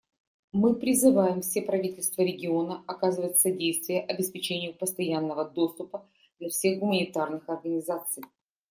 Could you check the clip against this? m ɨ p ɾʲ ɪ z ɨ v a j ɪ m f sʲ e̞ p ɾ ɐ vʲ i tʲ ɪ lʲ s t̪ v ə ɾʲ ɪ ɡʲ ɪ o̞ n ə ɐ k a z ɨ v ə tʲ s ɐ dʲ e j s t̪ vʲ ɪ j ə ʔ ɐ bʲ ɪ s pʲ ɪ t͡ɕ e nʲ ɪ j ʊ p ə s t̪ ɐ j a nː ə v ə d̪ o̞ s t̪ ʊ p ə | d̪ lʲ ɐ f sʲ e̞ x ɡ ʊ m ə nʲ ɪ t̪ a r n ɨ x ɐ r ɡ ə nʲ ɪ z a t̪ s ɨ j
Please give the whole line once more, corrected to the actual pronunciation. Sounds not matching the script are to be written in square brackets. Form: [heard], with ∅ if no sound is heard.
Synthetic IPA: m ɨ p ɾʲ ɪ z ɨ v a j ɪ m f sʲ e̞ p ɾ ɐ vʲ i tʲ ɪ lʲ s t̪ v ə ɾʲ ɪ ɡʲ ɪ o̞ n ə ɐ k a z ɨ v ə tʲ s ɐ dʲ e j s t̪ vʲ ɪ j ə ʔ ɐ bʲ ɪ s pʲ ɪ t͡ɕ e nʲ ɪ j ʊ p ə s t̪ ɐ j a nː ə v ə d̪ o̞ s t̪ ʊ p ə | d̪ lʲ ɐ f sʲ e̞ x ɡ ʊ m ə nʲ ɪ t̪ a r n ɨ x ɐ r ɡ ə nʲ ɪ z a t̪ s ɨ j